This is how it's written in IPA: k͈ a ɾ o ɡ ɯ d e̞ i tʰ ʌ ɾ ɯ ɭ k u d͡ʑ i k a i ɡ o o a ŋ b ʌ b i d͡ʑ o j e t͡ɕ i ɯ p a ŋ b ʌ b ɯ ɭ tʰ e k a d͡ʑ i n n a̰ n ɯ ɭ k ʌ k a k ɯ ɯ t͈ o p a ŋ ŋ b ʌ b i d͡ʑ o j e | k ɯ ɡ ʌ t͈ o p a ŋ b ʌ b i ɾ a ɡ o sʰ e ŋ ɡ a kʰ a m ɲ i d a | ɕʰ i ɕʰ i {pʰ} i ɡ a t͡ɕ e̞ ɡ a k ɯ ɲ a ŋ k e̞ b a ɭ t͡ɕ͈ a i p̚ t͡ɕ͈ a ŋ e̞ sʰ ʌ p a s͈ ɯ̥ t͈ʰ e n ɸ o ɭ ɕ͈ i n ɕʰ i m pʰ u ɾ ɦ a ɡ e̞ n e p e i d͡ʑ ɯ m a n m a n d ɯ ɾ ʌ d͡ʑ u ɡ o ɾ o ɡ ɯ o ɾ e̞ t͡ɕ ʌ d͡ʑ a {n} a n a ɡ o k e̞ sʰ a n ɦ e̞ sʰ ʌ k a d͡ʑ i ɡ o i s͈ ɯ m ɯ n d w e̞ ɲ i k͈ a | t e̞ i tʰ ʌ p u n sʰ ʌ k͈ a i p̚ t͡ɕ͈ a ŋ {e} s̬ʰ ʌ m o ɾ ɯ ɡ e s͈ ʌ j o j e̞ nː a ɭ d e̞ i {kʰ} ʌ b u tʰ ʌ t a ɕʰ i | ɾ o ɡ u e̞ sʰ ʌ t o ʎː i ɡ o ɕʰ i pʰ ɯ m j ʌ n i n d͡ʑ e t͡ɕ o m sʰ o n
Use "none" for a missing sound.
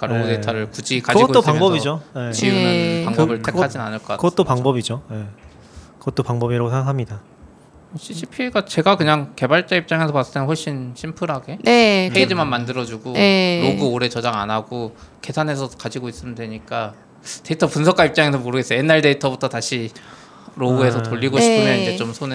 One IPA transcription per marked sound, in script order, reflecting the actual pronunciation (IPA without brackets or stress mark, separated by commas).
pʰ, ŋ, e, tʰ